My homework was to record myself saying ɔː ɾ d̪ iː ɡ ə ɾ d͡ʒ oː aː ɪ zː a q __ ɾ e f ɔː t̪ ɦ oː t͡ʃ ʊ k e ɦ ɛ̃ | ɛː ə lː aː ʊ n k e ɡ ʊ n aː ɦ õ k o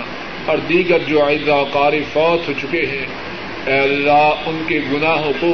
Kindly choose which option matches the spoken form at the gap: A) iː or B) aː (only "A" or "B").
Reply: B